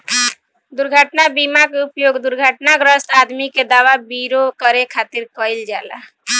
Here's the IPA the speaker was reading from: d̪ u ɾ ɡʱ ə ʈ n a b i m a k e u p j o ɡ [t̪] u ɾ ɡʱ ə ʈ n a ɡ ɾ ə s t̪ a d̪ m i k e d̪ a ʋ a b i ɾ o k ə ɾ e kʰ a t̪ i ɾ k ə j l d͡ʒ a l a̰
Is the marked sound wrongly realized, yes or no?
yes